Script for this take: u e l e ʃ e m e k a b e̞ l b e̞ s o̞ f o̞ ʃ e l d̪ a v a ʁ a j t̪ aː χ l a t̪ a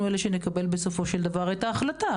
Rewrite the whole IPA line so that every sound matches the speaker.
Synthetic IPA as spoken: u e l e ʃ e n e k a b e̞ l b e̞ s o̞ f o̞ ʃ e l d̪ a v a ʁ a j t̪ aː χ l a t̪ a